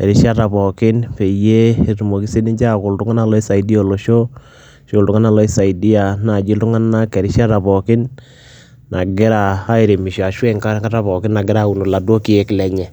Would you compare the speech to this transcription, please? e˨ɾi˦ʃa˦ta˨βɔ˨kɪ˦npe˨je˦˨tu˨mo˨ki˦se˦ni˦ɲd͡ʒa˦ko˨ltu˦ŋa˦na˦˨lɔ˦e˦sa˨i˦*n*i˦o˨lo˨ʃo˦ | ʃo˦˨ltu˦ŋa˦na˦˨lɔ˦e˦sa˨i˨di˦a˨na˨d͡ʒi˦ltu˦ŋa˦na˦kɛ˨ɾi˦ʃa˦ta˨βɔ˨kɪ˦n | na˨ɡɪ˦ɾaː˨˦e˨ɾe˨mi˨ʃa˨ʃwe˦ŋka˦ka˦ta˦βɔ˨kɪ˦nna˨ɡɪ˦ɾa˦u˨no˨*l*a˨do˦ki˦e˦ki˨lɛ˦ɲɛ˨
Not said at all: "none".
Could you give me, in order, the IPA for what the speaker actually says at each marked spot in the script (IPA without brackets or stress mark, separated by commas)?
d, l